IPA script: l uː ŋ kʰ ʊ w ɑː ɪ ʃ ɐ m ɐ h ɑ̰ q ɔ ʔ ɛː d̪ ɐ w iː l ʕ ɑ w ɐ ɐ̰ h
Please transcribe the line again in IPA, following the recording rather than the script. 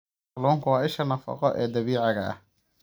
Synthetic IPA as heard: l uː ŋ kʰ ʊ w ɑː ɪ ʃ ɐ n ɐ f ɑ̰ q ɔ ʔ ɛː d̪ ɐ β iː ʕ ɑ ɣ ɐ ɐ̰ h